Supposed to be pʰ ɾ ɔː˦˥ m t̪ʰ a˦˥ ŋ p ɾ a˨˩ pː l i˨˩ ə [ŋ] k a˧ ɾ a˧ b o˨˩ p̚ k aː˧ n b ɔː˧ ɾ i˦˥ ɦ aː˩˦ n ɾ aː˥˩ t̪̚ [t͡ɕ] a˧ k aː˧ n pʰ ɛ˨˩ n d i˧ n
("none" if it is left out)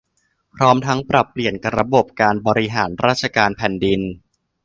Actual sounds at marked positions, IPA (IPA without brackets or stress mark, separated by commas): n, t͡ɕʰ